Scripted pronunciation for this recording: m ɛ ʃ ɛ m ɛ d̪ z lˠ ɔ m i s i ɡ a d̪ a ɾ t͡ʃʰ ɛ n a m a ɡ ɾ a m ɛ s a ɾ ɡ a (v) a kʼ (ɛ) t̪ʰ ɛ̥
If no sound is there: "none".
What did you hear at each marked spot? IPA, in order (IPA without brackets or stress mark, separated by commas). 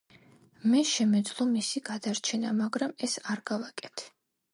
v, ɛ